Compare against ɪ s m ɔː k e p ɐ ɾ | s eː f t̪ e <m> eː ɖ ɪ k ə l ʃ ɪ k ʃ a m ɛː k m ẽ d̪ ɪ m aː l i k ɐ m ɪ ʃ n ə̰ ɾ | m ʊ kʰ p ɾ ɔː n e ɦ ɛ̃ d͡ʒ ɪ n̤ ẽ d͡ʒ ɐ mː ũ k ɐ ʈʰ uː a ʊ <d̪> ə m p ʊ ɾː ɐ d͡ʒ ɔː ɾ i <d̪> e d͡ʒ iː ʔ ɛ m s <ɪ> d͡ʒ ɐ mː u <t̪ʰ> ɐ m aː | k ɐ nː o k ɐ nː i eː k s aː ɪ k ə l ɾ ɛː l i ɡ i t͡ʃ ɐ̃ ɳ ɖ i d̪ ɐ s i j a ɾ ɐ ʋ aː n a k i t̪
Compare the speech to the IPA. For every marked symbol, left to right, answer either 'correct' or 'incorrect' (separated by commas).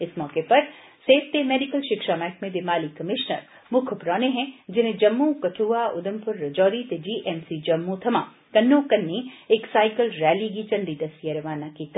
correct, correct, incorrect, incorrect, correct